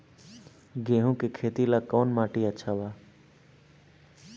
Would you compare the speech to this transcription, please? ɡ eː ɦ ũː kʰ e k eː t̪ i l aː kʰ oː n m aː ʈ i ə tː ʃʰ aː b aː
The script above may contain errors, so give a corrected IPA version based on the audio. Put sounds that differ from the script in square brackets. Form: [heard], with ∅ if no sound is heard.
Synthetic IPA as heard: ɡ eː ɦ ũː [k] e [kʰ] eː t̪ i l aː [k] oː n m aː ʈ i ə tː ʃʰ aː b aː